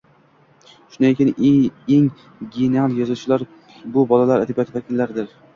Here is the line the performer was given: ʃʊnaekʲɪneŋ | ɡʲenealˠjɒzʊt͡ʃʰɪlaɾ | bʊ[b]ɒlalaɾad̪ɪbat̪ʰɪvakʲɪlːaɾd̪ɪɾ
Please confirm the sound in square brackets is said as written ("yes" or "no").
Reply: yes